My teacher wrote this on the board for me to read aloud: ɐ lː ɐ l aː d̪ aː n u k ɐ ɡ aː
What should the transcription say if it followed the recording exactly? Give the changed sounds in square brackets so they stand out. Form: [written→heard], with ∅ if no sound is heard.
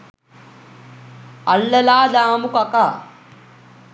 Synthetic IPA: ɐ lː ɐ l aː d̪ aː [n→m] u k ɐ [ɡ→k] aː